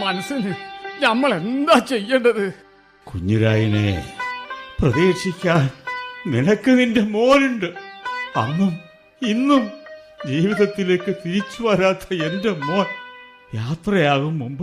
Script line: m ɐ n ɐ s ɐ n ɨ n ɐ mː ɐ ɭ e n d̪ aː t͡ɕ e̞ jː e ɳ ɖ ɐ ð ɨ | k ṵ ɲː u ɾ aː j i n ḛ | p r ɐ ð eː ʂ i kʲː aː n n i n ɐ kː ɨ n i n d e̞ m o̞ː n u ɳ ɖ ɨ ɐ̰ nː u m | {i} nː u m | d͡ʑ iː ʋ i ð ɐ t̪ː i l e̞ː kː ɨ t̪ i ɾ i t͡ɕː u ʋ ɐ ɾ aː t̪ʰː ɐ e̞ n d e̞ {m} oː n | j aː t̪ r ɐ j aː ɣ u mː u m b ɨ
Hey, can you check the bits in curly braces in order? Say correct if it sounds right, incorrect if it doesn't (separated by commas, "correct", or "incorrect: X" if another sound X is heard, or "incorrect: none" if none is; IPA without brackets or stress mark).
correct, correct